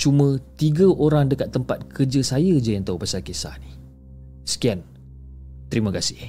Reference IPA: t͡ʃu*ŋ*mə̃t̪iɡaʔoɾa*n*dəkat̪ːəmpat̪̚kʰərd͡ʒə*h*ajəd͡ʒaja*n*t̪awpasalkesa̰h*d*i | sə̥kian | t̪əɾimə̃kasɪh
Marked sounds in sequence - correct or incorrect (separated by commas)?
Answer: incorrect, incorrect, incorrect, correct, incorrect